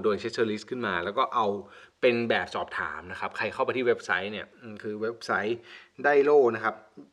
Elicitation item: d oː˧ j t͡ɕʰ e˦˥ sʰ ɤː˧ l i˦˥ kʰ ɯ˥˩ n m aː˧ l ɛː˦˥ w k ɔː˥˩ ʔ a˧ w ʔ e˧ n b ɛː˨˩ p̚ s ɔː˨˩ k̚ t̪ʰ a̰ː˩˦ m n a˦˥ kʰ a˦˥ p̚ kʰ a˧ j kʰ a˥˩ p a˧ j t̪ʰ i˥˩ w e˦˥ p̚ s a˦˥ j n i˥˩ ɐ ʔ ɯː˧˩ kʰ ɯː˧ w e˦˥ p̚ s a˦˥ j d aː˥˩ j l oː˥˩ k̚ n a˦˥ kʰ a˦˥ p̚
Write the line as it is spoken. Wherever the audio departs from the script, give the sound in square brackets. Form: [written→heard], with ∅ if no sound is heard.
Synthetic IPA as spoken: d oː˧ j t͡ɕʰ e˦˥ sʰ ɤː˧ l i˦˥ kʰ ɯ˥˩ n m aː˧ l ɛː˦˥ w k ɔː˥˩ ʔ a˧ w [ʔ→p] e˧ n b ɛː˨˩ p̚ s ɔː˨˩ [k̚→p̚] t̪ʰ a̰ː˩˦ m n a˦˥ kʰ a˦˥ p̚ kʰ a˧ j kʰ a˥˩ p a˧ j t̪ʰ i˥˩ w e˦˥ p̚ s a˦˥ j n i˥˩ ɐ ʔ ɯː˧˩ kʰ ɯː˧ w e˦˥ p̚ s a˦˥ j d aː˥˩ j l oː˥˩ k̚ n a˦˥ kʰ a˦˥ p̚